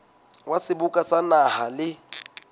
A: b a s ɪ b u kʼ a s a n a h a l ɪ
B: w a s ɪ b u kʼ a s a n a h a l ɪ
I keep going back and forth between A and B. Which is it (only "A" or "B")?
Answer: B